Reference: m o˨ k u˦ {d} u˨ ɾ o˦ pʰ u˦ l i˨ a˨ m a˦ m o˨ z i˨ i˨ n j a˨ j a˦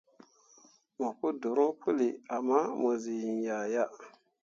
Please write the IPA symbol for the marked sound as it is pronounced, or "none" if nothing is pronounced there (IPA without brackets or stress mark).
d